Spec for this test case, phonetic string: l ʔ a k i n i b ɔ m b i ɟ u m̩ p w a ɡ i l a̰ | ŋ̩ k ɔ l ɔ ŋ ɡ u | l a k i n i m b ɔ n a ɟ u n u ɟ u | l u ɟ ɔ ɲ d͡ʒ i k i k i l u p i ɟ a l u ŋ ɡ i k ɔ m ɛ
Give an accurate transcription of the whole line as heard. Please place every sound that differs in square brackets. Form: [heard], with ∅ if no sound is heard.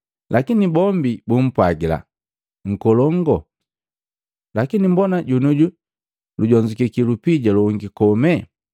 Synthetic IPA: l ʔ a k i n i b ɔ m b i [b] u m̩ p w a ɡ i l a̰ | ŋ̩ k ɔ l ɔ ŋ ɡ [ɔ] | l a k i n i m b ɔ n a ɟ u n u ɟ u | l u ɟ ɔ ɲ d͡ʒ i k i k i l u p i ɟ a l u ŋ ɡ i k ɔ m ɛ